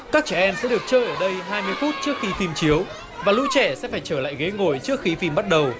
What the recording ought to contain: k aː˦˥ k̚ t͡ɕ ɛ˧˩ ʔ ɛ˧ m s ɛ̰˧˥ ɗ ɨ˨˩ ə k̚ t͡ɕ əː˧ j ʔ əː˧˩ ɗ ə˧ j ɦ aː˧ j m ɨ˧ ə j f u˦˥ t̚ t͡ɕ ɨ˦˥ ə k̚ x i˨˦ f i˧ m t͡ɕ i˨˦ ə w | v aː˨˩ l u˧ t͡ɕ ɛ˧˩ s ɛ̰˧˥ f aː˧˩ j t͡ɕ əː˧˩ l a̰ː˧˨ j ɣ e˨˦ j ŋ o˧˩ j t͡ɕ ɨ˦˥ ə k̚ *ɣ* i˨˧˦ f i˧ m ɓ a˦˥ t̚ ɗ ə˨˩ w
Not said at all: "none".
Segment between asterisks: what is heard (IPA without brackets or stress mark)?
x